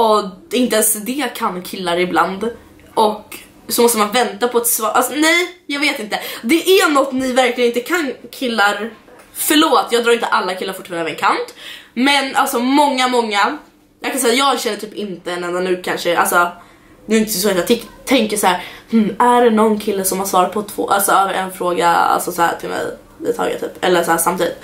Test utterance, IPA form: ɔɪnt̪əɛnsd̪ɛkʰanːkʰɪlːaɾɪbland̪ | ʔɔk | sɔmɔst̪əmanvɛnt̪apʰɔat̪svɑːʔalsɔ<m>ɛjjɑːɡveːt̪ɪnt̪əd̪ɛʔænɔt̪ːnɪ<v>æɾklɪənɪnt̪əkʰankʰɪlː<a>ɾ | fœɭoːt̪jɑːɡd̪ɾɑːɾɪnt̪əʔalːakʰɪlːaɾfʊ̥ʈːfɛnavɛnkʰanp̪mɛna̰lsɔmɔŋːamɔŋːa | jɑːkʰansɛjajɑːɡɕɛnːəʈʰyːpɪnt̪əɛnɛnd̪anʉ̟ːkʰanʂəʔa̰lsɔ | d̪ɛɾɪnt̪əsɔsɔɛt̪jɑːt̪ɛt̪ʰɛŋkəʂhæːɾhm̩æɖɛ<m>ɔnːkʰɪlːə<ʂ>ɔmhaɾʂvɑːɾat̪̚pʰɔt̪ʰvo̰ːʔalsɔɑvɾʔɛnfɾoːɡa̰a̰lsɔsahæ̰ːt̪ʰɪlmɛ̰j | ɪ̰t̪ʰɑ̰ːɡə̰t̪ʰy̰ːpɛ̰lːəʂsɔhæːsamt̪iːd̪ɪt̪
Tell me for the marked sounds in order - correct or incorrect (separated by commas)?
incorrect, correct, correct, incorrect, incorrect